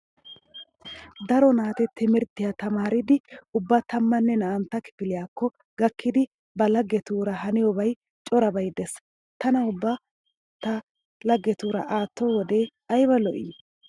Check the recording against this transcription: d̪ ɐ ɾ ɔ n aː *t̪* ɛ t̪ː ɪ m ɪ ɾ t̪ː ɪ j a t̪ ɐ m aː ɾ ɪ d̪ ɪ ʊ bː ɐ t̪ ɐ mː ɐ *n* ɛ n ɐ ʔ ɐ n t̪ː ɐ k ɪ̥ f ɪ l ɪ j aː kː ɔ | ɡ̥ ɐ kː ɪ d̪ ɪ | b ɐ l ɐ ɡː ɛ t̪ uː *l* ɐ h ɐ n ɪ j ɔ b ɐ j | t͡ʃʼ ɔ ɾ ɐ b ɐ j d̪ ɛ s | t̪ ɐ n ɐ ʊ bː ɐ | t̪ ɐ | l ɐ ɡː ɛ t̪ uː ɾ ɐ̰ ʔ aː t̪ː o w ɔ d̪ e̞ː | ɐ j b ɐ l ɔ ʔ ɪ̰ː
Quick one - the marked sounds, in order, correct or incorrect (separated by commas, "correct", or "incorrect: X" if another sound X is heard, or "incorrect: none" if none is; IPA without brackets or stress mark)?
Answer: correct, incorrect: nː, incorrect: ɾ